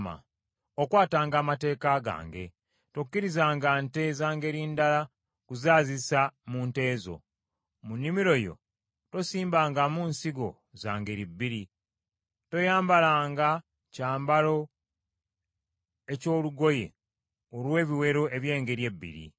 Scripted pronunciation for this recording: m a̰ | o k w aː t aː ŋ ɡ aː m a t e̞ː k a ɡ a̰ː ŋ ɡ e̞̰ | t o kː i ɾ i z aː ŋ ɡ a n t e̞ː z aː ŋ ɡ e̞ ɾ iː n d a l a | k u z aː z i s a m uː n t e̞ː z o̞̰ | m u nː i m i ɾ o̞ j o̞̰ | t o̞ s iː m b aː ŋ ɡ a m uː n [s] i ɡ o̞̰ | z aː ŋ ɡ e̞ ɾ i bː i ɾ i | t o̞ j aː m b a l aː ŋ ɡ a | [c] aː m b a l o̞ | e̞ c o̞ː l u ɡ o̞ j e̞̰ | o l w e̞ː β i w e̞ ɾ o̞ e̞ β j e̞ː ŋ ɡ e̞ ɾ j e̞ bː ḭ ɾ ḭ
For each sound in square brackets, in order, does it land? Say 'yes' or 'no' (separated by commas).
yes, yes